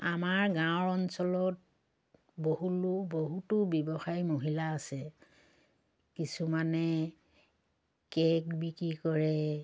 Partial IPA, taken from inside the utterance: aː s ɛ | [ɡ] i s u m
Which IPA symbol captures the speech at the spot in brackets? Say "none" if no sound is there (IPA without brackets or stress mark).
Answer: k